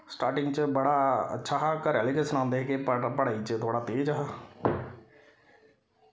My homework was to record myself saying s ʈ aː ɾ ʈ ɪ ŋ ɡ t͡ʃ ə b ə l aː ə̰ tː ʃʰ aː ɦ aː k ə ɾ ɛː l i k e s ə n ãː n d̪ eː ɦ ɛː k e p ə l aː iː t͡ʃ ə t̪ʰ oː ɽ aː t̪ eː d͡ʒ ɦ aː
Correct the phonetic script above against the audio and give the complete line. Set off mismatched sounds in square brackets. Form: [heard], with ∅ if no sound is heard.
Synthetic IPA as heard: s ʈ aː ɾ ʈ ɪ ŋ ɡ t͡ʃ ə b ə [ɽ] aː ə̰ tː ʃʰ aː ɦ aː k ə ɾ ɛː l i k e s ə n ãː n d̪ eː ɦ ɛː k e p ə [ɽ] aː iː t͡ʃ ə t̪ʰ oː ɽ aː t̪ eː d͡ʒ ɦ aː